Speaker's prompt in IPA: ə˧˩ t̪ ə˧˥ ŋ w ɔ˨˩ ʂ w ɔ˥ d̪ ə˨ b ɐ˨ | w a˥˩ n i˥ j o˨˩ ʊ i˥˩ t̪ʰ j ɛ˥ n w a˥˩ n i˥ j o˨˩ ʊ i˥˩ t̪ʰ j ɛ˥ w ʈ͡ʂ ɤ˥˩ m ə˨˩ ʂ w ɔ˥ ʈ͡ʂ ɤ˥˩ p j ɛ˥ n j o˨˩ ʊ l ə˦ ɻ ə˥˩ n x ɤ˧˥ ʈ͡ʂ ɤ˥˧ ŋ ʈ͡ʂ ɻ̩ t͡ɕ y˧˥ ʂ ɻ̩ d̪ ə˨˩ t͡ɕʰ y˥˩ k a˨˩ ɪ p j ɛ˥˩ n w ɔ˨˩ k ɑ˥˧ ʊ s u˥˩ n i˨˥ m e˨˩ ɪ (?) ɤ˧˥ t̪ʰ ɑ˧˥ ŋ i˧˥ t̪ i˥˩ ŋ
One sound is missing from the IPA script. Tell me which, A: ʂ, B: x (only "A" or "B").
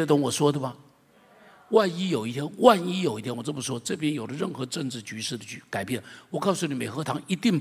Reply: B